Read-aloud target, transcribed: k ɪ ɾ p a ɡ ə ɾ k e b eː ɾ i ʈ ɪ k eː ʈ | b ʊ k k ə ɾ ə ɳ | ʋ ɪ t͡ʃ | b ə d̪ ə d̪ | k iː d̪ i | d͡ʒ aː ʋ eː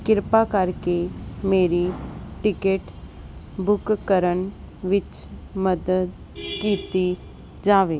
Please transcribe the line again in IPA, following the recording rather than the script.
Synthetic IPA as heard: k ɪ ɾ p a k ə ɾ k e m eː ɾ i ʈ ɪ k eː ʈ | b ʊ k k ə ɾ ə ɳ | ʋ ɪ t͡ʃ | m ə d̪ ə d̪ | k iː t̪ i | d͡ʒ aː ʋ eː